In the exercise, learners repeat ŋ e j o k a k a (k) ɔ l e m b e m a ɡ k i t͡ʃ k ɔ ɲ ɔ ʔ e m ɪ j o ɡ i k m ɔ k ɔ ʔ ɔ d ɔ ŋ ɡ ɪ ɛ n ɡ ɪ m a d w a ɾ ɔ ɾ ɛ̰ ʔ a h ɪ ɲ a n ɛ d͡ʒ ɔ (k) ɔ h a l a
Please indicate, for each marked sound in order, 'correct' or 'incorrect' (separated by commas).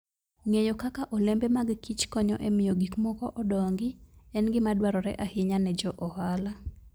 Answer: incorrect, incorrect